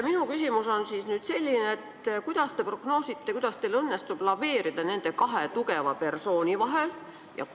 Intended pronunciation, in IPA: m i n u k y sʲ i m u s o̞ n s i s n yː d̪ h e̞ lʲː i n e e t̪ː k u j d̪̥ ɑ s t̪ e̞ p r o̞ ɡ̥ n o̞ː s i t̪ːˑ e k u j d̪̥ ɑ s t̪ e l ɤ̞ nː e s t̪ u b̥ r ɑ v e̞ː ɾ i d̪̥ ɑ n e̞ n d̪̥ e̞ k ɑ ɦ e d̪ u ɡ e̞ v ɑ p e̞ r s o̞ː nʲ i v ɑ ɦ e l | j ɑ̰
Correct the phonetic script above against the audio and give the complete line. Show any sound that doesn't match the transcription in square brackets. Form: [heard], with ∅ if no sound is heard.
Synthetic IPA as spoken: m i n u k y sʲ i m u s o̞ n s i s n yː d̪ [s] e̞ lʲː i n e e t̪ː k u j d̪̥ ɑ s t̪ e̞ p r o̞ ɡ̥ n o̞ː s i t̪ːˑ e k u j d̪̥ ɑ s t̪ e l ɤ̞ nː e s t̪ u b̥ [l] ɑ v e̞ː ɾ i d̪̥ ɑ n e̞ n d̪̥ e̞ k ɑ ɦ e [t̪] u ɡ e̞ v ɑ p e̞ r s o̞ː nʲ i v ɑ ɦ e l | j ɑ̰